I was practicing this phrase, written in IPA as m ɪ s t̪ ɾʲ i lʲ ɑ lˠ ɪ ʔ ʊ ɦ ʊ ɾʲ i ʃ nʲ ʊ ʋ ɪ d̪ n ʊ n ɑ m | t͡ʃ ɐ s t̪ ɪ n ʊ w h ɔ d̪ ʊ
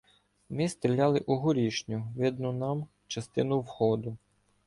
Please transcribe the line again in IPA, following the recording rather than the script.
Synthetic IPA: m ɪ s t̪ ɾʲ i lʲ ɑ lˠ ɪ ʔ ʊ ɦ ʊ ɾʲ i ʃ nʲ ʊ ʋ ɪ d̪ n ʊ n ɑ m | t͡ʃ ɐ s t̪ ɪ n ʊ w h ɔ d̪ ʊ

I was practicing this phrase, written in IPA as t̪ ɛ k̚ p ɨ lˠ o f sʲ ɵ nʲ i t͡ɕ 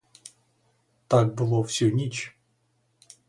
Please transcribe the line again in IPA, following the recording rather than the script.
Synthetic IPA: t̪ a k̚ b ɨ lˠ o f sʲ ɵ nʲ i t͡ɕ

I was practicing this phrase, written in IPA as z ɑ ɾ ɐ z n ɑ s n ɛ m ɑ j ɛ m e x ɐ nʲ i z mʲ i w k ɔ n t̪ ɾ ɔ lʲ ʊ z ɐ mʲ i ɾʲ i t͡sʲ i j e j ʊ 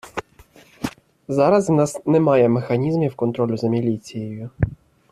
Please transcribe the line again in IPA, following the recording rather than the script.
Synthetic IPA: z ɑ ɾ ɐ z n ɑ s n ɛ m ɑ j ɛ m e x ɐ nʲ i z mʲ i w k ɔ n t̪ ɾ ɔ lʲ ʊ z ɐ mʲ i lʲ i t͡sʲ i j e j ʊ

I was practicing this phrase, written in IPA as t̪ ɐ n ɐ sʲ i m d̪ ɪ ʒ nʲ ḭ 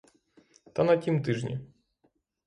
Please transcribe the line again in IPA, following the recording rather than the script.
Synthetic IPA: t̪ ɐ n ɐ tʲ i m t̪ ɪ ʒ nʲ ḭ

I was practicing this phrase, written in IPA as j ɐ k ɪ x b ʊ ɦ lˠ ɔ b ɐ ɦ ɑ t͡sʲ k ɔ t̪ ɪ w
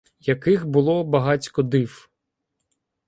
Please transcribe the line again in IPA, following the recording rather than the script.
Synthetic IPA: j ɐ k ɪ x b ʊ lˠ ɔ b ɐ ɦ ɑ t͡sʲ k ɔ d̪ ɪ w

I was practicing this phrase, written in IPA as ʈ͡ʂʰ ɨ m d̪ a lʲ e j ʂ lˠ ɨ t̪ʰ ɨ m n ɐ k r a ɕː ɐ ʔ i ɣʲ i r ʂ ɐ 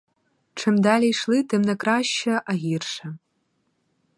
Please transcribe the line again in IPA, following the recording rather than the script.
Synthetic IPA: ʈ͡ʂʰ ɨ m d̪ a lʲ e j ʂ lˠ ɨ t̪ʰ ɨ m n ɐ k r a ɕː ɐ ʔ a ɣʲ i r ʂ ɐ

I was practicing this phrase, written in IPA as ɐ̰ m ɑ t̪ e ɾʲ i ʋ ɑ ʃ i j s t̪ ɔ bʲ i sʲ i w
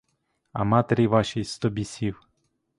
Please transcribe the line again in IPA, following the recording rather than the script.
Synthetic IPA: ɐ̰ m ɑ t̪ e ɾʲ i ʋ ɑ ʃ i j s t̪ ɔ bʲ i sʲ i w

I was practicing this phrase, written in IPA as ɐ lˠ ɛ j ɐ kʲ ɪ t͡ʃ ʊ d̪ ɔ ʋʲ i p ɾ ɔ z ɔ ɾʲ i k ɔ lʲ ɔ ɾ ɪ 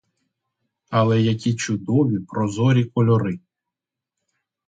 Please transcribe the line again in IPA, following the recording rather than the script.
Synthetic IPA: ɐ lˠ ɛ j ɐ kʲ i t͡ʃ ʊ d̪ ɔ ʋʲ i p ɾ ɔ z ɔ ɾʲ i k ɔ lʲ ɔ ɾ ɪ

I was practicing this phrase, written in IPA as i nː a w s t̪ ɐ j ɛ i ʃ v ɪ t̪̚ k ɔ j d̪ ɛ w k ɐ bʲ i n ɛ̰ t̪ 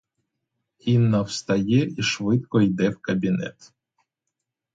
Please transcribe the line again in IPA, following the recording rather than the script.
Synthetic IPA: i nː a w s t̪ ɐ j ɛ i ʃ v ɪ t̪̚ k ɔ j d̪ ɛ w k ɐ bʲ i n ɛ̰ t̪

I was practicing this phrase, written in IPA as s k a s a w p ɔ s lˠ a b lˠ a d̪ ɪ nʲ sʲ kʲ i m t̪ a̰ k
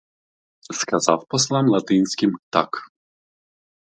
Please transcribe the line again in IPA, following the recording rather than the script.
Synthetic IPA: s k a z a w p ɔ s lˠ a m lˠ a t̪ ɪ nʲ sʲ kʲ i m t̪ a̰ k

